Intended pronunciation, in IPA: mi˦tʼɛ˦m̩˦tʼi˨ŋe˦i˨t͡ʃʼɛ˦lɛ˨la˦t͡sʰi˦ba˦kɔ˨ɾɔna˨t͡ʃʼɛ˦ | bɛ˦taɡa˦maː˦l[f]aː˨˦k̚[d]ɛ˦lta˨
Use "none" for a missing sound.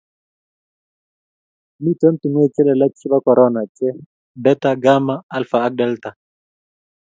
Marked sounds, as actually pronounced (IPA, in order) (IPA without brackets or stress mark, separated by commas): f, d